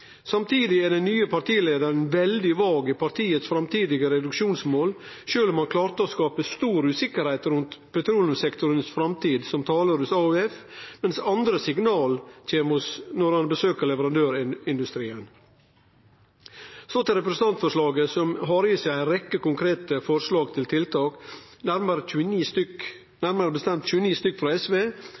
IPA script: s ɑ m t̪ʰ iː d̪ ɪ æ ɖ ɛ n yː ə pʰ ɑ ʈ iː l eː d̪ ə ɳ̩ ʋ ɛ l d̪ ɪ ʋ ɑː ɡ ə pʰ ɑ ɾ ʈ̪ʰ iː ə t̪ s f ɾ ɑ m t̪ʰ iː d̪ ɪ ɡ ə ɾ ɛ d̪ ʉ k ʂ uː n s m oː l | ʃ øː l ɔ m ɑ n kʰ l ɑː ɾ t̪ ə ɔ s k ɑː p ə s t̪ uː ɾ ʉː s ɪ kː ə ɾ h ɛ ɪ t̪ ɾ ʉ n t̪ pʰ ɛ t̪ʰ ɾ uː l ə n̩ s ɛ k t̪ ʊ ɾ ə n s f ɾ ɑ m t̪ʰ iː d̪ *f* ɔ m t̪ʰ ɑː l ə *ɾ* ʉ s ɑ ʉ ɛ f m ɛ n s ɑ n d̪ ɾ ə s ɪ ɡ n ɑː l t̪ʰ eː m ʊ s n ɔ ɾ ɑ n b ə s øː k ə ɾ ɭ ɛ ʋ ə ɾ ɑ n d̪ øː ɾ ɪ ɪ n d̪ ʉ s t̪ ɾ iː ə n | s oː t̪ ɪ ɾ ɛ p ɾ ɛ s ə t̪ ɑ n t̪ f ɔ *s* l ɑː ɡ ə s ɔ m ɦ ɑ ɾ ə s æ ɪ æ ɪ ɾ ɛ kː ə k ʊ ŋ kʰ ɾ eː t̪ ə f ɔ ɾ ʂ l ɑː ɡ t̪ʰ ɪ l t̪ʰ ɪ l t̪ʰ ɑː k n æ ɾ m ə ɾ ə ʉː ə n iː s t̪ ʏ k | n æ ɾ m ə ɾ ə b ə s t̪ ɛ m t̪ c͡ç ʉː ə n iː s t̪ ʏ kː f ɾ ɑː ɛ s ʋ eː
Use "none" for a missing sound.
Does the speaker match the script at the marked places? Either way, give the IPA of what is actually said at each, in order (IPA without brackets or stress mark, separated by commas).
s, ɾ, ʂ